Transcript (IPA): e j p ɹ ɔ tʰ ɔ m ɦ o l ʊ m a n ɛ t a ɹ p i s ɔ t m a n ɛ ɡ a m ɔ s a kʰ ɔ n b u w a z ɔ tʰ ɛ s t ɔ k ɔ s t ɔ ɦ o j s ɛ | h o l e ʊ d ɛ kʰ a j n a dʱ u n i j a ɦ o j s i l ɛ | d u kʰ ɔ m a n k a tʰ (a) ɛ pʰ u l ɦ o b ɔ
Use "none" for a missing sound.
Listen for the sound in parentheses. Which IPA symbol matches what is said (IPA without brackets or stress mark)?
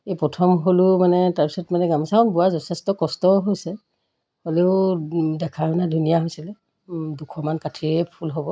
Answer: i